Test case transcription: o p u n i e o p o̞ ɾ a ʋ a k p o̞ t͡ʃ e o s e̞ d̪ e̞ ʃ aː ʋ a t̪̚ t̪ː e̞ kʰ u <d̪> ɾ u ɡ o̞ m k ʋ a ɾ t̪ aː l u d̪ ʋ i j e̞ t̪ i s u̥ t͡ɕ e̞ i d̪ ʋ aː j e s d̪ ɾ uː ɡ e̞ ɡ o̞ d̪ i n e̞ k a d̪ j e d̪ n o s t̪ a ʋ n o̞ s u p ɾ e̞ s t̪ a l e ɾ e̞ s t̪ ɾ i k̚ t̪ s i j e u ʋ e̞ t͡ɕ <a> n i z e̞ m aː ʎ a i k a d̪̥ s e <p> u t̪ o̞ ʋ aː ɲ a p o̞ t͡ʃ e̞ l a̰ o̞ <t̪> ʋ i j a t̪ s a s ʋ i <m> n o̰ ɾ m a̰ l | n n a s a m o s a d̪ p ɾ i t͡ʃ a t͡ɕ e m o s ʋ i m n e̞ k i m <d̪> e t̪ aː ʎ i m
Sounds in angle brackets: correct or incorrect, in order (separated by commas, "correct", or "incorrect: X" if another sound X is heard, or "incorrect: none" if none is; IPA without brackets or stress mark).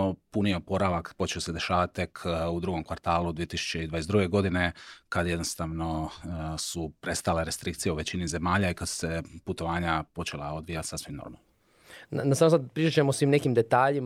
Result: correct, incorrect: i, correct, incorrect: d̪, correct, correct